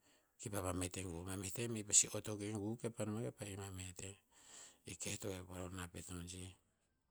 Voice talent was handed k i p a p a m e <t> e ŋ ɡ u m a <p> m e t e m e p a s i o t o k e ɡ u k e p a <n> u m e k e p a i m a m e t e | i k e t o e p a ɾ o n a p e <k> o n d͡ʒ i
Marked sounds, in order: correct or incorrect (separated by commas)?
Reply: correct, incorrect, correct, incorrect